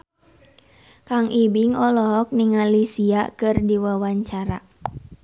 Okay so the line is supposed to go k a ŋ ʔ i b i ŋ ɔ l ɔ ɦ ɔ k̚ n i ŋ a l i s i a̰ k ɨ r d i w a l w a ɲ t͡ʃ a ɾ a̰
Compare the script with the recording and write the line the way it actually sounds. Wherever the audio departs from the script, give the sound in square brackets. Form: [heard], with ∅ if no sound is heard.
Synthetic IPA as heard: k a ŋ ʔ i b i ŋ ɔ l ɔ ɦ ɔ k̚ n i ŋ a l i s i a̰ k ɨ r d i w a [∅] w a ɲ t͡ʃ a ɾ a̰